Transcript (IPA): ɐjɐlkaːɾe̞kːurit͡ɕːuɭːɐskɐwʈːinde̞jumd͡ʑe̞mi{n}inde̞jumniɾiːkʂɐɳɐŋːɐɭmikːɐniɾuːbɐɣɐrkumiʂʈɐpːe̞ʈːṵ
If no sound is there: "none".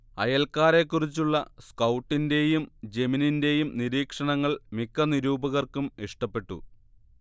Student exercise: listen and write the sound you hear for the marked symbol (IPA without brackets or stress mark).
n